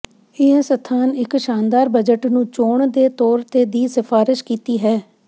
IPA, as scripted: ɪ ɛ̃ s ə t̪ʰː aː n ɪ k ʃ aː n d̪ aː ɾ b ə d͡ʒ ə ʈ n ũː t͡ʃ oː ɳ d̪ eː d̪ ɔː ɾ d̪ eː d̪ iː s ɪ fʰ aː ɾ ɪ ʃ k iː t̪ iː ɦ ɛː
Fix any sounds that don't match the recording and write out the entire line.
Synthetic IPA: ɪ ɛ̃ s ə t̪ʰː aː n ɪ k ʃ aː n d̪ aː ɾ b ə d͡ʒ ə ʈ n ũː t͡ʃ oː ɳ d̪ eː t̪ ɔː ɾ t̪ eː d̪ iː s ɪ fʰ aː ɾ ɪ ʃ k iː t̪ iː ɦ ɛː